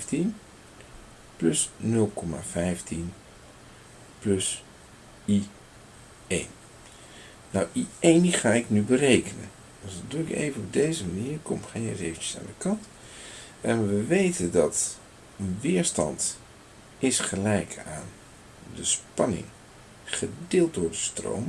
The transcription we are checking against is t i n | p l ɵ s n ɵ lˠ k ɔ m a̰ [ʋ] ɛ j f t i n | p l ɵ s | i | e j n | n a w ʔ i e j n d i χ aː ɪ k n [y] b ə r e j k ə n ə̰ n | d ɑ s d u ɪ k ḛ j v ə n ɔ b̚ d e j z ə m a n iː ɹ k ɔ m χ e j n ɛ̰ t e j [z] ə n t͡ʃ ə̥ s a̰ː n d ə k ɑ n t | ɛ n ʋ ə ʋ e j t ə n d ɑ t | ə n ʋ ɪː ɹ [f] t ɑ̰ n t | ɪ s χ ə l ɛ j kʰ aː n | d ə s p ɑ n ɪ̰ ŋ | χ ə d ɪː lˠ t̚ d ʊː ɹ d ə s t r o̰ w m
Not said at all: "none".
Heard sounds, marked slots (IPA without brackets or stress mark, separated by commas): v, y, v, s